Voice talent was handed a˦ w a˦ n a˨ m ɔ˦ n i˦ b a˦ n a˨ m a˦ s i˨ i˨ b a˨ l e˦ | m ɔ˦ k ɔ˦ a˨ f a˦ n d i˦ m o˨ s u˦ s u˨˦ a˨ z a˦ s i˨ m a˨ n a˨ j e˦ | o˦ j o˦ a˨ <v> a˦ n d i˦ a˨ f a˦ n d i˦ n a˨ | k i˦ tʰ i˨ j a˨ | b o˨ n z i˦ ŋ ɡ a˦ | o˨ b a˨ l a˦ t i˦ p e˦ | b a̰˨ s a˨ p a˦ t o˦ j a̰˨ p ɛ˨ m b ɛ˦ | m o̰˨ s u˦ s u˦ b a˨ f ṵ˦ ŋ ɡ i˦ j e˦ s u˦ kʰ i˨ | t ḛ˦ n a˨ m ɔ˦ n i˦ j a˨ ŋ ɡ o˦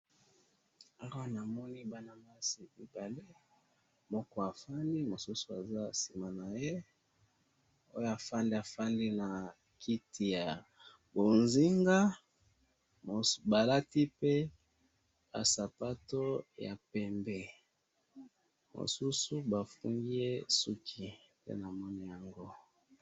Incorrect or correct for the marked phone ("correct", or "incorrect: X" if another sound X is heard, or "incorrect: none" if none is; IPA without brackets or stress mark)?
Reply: incorrect: f